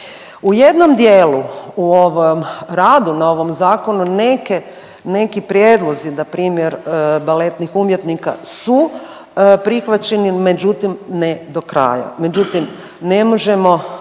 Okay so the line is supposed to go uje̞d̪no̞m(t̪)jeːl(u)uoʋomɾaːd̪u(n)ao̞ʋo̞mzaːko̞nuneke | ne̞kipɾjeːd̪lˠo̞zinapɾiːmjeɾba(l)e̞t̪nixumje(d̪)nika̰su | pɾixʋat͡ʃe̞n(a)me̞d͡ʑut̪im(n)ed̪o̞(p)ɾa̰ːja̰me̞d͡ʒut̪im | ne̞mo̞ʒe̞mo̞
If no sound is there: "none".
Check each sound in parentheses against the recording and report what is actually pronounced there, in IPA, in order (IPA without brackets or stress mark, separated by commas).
d̪, u, n, l, t̪, i, n, k